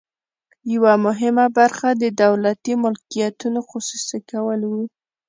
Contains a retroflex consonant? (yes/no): no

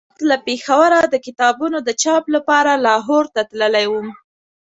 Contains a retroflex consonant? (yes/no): no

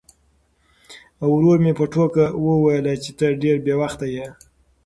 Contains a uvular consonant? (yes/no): no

